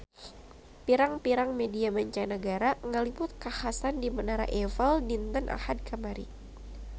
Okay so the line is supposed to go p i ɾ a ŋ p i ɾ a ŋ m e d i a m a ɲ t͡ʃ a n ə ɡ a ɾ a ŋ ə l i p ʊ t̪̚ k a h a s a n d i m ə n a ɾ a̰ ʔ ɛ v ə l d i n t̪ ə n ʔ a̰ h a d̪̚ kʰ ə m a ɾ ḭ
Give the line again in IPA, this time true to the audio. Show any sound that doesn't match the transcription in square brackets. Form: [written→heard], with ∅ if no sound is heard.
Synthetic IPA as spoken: p i ɾ a ŋ p i ɾ a ŋ m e d i a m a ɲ t͡ʃ a n ə ɡ a ɾ a ŋ ə l i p ʊ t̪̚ k a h a s a n d i m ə n a ɾ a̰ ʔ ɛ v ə l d i n t̪ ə n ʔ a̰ h a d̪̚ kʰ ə m a ɾ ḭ